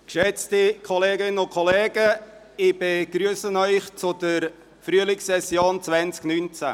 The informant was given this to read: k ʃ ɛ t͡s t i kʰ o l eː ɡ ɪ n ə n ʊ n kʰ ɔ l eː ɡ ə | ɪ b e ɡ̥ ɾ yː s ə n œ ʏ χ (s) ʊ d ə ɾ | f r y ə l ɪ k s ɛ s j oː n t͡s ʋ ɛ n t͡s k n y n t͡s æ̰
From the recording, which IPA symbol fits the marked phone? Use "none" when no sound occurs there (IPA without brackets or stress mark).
t͡s